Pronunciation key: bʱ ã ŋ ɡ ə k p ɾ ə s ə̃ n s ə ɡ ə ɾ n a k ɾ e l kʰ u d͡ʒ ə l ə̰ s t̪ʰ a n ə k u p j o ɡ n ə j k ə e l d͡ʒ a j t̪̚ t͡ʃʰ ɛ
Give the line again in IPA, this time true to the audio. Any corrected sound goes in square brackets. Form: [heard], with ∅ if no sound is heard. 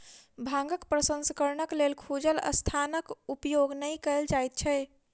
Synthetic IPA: bʱ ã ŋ ɡ ə k p ɾ ə s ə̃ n s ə [k] ə ɾ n [ə] k [l] e l kʰ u d͡ʒ ə l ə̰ s t̪ʰ a n ə k u p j o ɡ n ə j k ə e l d͡ʒ a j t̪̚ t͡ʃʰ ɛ